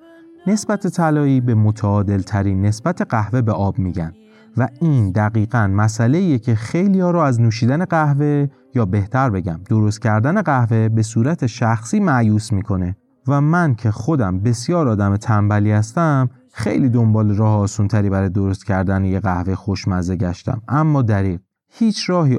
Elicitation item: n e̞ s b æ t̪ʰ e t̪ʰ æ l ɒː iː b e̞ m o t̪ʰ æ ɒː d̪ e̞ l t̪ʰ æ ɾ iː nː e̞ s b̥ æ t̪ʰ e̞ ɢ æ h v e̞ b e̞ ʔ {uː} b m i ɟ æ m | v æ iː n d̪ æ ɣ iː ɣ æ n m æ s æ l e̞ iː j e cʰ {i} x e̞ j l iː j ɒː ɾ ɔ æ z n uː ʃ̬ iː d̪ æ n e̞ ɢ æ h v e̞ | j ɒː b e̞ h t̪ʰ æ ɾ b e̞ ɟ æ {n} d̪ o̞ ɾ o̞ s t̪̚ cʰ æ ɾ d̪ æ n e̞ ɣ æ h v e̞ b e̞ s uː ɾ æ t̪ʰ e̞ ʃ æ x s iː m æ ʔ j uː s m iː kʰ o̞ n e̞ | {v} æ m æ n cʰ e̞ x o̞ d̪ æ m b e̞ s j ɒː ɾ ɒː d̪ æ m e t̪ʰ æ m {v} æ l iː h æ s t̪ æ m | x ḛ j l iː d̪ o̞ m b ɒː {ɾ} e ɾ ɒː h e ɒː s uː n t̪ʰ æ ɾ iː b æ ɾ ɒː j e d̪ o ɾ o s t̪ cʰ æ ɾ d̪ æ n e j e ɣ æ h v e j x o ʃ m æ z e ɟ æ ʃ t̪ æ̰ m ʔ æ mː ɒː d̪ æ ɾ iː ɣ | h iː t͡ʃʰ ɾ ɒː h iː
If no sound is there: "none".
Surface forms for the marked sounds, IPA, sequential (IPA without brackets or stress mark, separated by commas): ɒː, e, m, v, b, l